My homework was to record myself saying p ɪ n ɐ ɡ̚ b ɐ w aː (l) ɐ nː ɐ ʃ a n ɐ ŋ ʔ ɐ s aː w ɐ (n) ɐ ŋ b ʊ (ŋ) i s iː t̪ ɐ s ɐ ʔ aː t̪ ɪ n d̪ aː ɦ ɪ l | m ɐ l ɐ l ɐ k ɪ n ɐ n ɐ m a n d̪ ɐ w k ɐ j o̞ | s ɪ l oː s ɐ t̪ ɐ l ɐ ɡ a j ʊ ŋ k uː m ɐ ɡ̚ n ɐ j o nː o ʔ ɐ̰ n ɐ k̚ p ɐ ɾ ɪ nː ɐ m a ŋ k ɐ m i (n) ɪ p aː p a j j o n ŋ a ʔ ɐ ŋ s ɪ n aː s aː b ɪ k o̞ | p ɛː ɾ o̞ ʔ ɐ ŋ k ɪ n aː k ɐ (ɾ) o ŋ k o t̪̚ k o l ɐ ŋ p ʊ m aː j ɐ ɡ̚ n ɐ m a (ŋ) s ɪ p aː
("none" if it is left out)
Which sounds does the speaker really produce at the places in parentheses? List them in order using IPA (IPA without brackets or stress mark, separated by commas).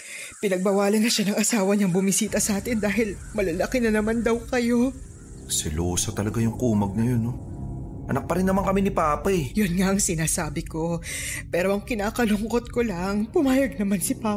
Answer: l, ɲ, m, n, l, n